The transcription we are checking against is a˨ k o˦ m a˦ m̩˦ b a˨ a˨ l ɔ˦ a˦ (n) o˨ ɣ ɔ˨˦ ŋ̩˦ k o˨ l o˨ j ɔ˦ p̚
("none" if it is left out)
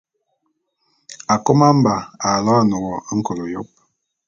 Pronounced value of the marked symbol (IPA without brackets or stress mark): n